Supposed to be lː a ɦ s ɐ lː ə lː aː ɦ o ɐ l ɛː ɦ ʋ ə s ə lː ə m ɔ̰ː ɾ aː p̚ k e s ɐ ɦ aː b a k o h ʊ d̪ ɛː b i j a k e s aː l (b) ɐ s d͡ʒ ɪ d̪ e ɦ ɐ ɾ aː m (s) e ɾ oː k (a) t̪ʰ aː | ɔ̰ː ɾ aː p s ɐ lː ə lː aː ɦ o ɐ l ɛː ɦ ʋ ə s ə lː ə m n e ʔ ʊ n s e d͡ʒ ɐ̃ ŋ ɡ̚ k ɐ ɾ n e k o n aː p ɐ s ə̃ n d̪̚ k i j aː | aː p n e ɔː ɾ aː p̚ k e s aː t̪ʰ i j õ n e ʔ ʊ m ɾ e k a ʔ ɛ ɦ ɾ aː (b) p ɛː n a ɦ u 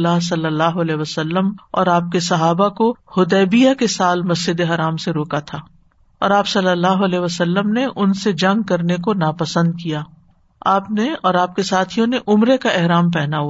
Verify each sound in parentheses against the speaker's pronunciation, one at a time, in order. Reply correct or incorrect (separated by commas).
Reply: incorrect, correct, correct, incorrect